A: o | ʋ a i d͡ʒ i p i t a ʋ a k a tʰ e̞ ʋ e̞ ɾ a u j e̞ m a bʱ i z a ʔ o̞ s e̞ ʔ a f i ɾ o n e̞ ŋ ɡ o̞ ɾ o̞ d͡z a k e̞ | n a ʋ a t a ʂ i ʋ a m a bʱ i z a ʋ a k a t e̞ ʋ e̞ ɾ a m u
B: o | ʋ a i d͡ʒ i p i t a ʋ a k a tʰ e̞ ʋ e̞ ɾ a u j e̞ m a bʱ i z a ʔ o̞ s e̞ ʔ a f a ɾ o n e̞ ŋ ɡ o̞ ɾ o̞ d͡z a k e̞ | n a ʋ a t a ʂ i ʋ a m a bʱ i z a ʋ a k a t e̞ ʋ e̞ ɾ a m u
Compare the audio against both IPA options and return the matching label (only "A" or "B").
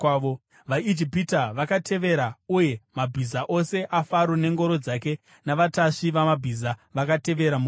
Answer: B